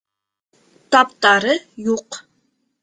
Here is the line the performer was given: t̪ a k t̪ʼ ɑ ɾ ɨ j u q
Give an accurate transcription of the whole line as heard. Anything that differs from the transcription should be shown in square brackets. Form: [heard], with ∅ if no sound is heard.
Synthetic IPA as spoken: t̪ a [p] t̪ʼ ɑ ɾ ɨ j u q